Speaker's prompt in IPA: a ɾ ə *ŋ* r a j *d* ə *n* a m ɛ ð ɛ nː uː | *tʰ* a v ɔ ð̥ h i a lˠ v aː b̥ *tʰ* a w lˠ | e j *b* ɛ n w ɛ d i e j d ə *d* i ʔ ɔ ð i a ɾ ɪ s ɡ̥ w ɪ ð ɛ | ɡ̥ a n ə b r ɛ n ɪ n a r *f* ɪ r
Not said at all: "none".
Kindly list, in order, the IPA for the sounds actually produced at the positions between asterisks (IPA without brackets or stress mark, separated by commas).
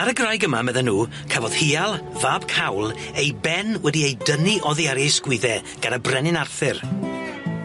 ɡ, ɡ, m, kʰ, kʰ, b, n, θ